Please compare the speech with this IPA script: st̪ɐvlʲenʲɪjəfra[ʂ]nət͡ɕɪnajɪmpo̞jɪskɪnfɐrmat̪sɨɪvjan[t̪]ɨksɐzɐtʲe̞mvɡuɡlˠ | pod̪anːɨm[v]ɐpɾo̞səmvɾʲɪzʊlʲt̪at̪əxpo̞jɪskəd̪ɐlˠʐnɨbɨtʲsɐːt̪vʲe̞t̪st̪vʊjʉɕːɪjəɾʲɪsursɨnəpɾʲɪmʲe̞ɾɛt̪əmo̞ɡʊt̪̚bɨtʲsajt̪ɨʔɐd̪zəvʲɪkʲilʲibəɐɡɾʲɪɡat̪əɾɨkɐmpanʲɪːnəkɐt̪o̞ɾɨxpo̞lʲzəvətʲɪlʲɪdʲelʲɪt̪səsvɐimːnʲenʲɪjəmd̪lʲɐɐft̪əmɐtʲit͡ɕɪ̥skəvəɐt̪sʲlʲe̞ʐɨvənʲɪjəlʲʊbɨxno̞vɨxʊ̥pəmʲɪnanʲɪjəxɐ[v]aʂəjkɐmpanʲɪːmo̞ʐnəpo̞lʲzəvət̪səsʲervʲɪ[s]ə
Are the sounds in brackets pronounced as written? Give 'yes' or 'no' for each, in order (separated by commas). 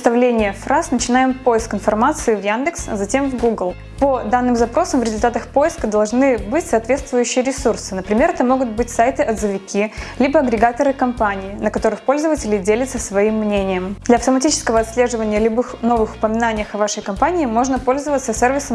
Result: no, no, no, yes, yes